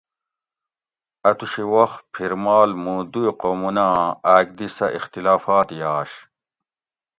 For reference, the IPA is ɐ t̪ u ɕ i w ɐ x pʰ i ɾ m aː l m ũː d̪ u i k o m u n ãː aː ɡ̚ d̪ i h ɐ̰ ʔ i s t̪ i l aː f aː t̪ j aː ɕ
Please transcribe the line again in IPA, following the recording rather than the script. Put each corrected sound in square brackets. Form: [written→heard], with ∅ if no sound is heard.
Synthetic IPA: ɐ t̪ u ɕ i w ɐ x pʰ i ɾ m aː l m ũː d̪ u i [k→q] o m u n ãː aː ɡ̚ d̪ i [h→s] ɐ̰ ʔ i [s→x] t̪ i l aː f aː t̪ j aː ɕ